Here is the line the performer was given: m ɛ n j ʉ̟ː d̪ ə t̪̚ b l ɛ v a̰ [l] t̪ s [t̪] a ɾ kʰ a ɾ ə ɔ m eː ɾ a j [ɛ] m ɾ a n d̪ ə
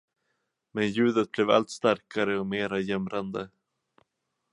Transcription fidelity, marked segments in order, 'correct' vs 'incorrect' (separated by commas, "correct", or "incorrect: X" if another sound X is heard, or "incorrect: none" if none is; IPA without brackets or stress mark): correct, correct, correct